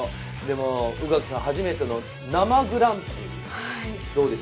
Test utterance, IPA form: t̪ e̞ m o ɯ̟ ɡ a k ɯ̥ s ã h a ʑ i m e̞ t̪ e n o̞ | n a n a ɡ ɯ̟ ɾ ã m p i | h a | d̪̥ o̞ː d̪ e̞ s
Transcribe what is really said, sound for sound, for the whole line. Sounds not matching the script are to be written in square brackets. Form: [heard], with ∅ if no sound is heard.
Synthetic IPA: [d̪] e̞ m o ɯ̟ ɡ a k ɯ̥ s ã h a ʑ i m e̞ t̪ e n o̞ | n a [m] a ɡ ɯ̟ ɾ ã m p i | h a | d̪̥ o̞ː d̪ e̞ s

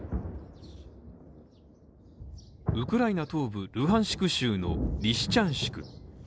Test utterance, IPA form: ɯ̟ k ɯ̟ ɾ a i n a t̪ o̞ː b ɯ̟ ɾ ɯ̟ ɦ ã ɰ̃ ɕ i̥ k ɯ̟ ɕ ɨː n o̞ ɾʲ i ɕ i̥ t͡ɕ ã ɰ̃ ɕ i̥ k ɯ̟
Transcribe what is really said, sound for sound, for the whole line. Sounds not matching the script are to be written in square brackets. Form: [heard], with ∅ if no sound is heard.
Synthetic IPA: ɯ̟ k ɯ̟ ɾ a i n a t̪ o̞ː b ɯ̟ ɾ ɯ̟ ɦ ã ɰ̃ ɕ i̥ k ɯ̟ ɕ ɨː n o̞ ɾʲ i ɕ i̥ t͡ɕ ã ɰ̃ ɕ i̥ k ɯ̟

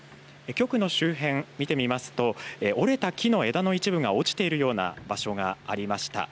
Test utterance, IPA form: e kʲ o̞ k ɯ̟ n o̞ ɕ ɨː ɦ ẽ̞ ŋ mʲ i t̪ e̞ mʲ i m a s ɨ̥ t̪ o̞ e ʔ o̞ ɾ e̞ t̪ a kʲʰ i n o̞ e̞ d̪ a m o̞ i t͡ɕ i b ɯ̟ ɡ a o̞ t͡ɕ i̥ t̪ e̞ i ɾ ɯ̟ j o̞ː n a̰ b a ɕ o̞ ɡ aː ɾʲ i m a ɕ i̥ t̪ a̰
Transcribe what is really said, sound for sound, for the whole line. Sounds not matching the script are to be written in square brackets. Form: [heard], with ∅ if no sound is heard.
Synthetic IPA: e kʲ o̞ k ɯ̟ n o̞ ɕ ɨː ɦ ẽ̞ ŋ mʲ i t̪ e̞ mʲ i m a s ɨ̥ t̪ o̞ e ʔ o̞ ɾ e̞ t̪ a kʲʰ i n o̞ e̞ d̪ a [n] o̞ i t͡ɕ i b ɯ̟ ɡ a o̞ t͡ɕ i̥ t̪ e̞ i ɾ ɯ̟ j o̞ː n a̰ b a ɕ o̞ ɡ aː ɾʲ i m a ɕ i̥ t̪ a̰

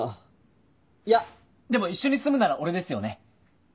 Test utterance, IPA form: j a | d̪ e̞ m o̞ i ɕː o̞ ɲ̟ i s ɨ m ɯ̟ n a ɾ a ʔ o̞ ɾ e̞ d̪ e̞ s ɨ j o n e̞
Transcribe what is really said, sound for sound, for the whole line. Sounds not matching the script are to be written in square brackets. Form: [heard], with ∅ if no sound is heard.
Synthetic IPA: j a | d̪ e̞ m o̞ i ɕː o̞ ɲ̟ i s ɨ m ɯ̟ n a ɾ a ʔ o̞ ɾ e̞ d̪ e̞ s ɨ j o n e̞

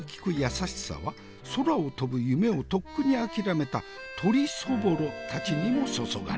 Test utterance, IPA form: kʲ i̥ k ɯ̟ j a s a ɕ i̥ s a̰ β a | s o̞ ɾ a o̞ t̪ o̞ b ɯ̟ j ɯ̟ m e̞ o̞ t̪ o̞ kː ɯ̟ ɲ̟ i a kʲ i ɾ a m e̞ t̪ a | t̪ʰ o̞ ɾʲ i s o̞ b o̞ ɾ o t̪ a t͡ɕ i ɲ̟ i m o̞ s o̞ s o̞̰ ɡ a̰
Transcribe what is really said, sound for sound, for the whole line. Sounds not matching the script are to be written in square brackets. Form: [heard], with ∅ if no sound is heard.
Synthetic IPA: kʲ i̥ k ɯ̟ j a s a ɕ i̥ s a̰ β a | s o̞ ɾ a o̞ t̪ o̞ b ɯ̟ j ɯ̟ m e̞ o̞ t̪ o̞ kː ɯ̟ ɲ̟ i a kʲ i ɾ a m e̞ t̪ a | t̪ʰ o̞ ɾʲ i s o̞ b o̞ ɾ o t̪ a t͡ɕ i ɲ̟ i m o̞ s o̞ s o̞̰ ɡ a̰

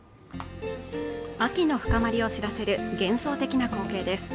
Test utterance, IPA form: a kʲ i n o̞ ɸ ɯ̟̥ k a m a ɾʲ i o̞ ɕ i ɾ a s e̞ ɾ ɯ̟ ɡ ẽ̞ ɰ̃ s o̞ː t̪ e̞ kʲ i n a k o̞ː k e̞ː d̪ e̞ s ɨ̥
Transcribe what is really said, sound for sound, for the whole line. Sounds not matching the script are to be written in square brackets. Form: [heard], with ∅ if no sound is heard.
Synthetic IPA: a kʲ i n o̞ ɸ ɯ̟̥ k a m a ɾʲ i o̞ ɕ i ɾ a s e̞ ɾ ɯ̟ ɡ ẽ̞ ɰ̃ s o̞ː t̪ e̞ kʲ i n a k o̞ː k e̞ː d̪ e̞ s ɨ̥

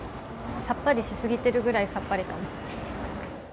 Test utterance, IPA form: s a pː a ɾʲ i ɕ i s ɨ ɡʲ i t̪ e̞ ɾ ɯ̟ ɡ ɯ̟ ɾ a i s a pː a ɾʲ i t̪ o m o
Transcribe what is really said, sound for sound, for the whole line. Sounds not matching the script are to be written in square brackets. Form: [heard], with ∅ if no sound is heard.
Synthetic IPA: s a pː a ɾʲ i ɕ i s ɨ ɡʲ i t̪ e̞ ɾ ɯ̟ ɡ ɯ̟ ɾ a i s a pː a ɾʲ i t̪ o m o

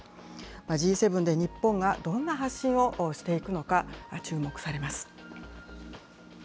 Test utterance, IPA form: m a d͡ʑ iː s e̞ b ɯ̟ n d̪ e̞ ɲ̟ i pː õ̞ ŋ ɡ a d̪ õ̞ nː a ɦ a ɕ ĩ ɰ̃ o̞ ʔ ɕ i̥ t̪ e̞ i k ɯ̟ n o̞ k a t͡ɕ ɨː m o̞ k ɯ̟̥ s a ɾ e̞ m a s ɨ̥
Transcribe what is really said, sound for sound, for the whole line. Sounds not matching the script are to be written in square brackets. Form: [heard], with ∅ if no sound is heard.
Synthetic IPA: m a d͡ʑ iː s e̞ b ɯ̟ n d̪ e̞ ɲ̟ i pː õ̞ ŋ ɡ a d̪ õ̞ nː a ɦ a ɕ ĩ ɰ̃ o̞ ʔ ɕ i̥ t̪ e̞ i k ɯ̟ n o̞ k a t͡ɕ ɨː m o̞ k ɯ̟̥ s a ɾ e̞ m a s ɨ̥

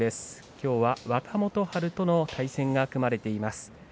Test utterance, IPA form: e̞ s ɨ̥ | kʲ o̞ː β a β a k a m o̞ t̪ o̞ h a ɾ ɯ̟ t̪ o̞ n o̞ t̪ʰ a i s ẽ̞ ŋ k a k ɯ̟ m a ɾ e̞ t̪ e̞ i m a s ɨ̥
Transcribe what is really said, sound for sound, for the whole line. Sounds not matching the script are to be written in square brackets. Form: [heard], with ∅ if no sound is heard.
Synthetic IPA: e̞ s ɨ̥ | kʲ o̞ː β a β a k a m o̞ t̪ o̞ h a ɾ ɯ̟ t̪ o̞ n o̞ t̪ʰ a i s ẽ̞ ŋ [ɡ] a k ɯ̟ m a ɾ e̞ t̪ e̞ i m a s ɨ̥

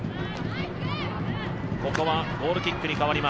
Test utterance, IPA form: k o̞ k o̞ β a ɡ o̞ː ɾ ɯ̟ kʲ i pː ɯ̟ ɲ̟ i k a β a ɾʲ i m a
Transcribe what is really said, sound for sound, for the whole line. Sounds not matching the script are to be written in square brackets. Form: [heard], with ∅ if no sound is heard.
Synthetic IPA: k o̞ k o̞ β a ɡ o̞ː ɾ ɯ̟ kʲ i [kː] ɯ̟ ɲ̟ i k a β a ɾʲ i m a

